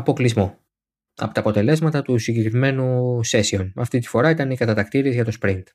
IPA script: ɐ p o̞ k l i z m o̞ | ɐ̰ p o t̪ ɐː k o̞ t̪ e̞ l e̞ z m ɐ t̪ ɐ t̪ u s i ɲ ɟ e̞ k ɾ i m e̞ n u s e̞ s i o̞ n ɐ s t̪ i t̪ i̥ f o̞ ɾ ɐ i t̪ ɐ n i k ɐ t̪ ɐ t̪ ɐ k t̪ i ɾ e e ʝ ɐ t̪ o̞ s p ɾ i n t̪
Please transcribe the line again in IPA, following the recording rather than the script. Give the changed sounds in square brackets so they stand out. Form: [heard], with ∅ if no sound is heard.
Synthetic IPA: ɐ p o̞ k l i z m o̞ | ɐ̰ p o t̪ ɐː [p] o̞ t̪ e̞ l e̞ z m ɐ t̪ ɐ t̪ u s i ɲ ɟ e̞ k ɾ i m e̞ n u s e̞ s i o̞ n ɐ [f] t̪ i t̪ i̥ f o̞ ɾ ɐ i t̪ ɐ n i k ɐ t̪ ɐ t̪ ɐ k t̪ i ɾ [i] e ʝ ɐ t̪ o̞ s p ɾ i n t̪